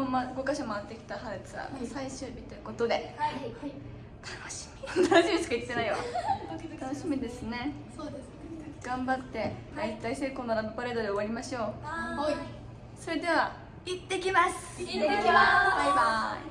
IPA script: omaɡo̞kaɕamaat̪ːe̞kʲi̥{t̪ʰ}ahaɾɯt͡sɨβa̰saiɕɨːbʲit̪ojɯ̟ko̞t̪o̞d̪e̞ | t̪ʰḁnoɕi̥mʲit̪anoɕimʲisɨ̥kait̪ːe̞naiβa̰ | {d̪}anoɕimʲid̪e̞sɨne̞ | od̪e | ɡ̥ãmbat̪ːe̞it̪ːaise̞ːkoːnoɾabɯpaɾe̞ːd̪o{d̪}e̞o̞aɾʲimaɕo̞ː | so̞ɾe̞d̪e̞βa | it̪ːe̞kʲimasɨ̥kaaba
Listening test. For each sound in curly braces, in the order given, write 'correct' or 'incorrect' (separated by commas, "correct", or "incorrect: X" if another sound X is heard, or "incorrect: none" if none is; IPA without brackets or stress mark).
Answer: incorrect: t̪, incorrect: t̪, correct